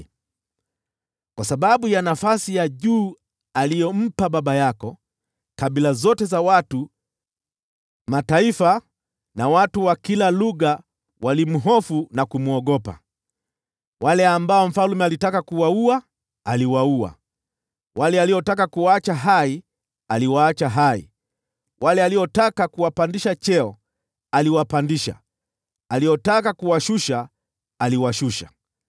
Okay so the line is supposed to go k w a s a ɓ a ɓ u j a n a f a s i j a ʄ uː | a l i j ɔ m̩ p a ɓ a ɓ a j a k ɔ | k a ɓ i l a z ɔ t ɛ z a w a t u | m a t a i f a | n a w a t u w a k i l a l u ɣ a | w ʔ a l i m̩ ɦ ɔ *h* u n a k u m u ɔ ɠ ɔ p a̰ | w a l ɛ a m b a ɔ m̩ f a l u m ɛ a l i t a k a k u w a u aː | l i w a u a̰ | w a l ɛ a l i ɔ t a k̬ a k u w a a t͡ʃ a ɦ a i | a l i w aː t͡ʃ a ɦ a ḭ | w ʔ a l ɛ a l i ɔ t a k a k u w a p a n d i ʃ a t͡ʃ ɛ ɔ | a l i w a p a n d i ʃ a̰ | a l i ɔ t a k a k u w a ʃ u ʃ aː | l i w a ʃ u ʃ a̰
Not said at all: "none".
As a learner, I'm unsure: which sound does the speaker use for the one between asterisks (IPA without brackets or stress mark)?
f